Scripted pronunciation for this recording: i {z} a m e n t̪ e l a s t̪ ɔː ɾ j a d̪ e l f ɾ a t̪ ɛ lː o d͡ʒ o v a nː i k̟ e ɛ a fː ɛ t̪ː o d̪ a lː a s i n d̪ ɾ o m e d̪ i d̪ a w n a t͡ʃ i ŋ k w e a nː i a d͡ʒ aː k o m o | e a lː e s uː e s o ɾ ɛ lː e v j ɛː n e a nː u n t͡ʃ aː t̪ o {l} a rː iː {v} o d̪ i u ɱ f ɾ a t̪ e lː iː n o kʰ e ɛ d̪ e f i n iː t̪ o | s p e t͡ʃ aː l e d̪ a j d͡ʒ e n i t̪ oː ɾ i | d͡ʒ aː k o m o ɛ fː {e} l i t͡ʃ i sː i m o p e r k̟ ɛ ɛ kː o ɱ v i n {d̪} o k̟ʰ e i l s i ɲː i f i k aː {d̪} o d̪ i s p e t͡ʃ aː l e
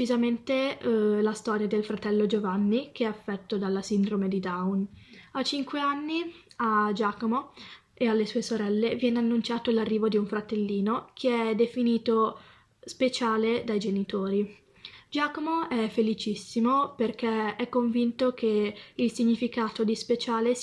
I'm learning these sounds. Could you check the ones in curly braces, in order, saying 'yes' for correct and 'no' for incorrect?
yes, yes, yes, yes, no, no

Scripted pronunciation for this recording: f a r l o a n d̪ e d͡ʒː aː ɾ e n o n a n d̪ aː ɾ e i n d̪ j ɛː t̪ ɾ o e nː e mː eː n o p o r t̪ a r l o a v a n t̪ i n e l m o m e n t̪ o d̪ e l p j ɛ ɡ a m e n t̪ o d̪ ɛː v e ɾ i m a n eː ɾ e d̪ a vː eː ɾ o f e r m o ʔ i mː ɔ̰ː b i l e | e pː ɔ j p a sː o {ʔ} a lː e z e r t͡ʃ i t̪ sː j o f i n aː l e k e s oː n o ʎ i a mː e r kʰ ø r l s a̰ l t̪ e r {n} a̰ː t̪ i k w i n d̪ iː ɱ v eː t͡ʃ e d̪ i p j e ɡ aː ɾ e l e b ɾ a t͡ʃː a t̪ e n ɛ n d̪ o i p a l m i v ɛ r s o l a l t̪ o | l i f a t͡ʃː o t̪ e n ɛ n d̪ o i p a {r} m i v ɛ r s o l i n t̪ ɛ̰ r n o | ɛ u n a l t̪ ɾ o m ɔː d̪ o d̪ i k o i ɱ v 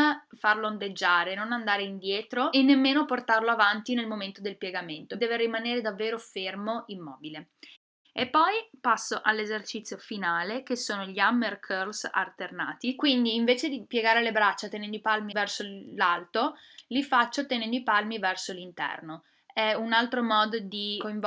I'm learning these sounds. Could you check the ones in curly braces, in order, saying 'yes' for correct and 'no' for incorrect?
yes, yes, no

